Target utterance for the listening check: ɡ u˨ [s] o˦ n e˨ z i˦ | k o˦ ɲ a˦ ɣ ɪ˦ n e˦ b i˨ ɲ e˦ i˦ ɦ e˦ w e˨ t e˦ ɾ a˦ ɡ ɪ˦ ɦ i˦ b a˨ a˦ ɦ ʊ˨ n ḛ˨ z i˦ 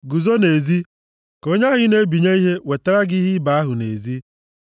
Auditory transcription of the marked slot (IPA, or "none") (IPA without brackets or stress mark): z